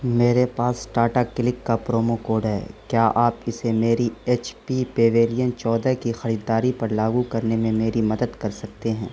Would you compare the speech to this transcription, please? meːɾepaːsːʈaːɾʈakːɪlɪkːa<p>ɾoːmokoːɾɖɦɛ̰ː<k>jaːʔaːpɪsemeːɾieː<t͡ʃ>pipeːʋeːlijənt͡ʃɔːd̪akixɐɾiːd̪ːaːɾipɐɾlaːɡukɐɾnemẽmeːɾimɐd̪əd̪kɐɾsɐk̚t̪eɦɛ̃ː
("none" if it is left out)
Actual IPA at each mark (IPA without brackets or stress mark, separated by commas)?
p, k, t͡ʃ